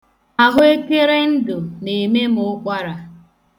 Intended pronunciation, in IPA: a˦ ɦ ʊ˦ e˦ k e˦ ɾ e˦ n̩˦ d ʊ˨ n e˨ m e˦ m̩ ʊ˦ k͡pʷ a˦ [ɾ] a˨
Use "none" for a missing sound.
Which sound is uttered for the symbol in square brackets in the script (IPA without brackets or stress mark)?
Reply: ɾ